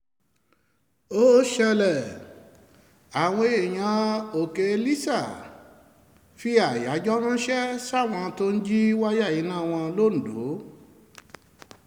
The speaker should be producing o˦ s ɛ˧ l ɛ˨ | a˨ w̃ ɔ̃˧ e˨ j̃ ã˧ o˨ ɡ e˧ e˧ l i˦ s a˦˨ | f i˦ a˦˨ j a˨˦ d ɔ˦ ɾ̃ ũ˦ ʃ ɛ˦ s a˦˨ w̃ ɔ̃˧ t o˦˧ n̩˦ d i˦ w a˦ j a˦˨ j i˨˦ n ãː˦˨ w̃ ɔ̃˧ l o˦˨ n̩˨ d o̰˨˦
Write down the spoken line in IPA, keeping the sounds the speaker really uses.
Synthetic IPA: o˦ ʃ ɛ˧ l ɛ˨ | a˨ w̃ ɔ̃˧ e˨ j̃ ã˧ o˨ k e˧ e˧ l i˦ s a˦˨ | f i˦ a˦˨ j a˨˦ d͡ʒ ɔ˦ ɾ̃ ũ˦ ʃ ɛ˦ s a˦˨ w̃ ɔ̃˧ t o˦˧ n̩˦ d͡ʒ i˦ w a˦ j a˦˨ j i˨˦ n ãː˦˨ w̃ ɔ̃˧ l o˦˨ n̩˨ d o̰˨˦